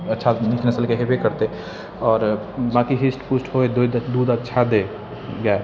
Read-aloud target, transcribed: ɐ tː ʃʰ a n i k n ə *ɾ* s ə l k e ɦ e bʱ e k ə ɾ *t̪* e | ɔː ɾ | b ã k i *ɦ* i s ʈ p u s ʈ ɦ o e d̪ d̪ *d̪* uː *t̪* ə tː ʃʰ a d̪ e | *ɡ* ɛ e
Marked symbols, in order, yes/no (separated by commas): no, yes, yes, yes, no, yes